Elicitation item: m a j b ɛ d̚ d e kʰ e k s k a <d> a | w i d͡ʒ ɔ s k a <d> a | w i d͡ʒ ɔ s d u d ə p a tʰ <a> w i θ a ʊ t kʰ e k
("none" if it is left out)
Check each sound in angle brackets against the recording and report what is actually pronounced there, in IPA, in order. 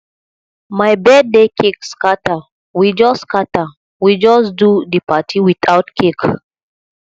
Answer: t, t, i

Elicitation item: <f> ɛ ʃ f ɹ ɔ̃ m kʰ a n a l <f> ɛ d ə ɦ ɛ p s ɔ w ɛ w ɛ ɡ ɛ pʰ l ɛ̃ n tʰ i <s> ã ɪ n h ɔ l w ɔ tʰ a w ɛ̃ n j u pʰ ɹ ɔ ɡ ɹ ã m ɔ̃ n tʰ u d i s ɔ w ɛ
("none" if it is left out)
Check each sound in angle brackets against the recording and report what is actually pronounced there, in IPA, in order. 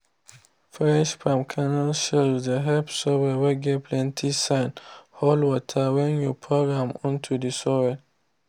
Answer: f, ʃ, s

